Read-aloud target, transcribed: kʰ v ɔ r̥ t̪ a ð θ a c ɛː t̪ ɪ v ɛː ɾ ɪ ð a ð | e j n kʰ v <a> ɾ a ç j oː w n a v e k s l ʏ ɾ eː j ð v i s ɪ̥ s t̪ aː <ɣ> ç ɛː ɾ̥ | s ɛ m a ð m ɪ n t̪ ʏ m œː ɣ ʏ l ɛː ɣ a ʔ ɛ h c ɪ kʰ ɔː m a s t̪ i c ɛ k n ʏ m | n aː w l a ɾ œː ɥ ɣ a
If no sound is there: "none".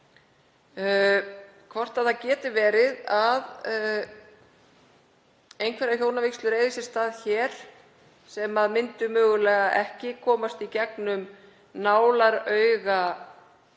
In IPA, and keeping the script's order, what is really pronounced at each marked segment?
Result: ɛ, ð

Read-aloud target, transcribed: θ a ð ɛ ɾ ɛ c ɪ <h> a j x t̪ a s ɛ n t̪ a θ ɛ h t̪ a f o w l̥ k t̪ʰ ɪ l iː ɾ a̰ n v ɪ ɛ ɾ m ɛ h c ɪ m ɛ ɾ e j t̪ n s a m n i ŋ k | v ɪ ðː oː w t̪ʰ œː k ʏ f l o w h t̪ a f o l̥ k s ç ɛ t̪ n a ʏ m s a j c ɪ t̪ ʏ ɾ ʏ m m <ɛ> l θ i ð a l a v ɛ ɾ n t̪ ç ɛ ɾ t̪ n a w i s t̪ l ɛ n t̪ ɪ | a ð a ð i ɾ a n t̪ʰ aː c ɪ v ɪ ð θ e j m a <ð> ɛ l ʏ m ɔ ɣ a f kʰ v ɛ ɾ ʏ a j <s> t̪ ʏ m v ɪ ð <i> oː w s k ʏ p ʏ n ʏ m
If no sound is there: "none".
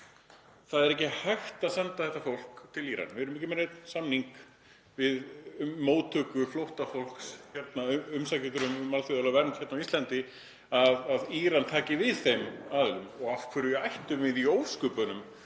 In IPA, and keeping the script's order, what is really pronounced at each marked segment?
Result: h, a, ð, h, i

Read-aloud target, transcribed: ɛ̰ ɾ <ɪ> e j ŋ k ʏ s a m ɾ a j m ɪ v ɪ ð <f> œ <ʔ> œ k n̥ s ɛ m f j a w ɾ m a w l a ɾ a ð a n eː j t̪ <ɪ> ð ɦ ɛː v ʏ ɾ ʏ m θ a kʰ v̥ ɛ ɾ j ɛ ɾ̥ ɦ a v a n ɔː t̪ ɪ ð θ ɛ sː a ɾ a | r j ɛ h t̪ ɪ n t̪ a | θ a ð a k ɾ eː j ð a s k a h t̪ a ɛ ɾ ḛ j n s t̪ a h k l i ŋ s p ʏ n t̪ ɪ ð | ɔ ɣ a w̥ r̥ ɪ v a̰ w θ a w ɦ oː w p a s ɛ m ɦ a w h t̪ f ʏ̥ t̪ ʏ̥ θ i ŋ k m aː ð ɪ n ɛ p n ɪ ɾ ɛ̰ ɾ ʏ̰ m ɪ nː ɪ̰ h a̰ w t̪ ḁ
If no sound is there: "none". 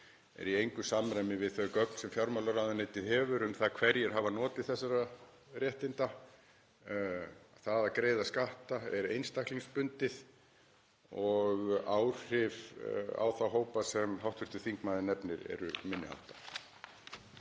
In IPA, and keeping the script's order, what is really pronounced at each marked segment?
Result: i, θ, k, ɪ

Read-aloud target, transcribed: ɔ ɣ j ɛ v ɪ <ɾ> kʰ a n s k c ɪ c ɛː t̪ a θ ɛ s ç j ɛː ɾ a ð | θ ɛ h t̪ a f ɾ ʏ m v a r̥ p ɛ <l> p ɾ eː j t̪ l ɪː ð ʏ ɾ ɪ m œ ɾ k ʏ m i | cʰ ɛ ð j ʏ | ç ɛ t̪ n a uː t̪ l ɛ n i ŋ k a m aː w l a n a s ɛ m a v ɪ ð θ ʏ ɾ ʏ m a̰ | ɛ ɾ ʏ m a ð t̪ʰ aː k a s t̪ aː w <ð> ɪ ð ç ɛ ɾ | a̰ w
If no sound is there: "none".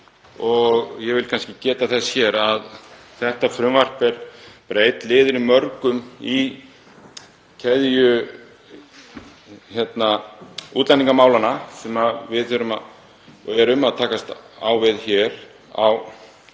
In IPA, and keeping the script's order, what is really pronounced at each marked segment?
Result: l, ɾ, v

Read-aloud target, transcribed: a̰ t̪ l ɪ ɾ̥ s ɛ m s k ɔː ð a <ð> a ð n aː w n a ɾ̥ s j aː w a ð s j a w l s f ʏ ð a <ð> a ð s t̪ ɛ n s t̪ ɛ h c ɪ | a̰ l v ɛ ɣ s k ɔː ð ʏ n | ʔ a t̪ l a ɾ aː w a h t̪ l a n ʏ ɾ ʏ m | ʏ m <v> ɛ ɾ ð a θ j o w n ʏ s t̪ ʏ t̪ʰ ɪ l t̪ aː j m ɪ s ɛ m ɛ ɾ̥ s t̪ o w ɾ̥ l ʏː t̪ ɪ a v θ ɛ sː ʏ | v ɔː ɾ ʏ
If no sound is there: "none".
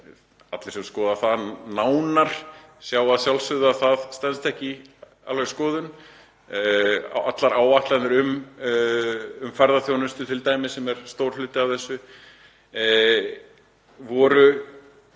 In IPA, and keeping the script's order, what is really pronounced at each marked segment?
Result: θ, θ, f

